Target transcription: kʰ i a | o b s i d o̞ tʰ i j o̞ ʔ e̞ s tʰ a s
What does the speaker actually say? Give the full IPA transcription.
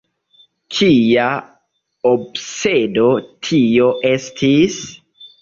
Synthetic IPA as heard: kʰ i a | o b s e d o̞ tʰ i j o̞ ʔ e̞ s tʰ i s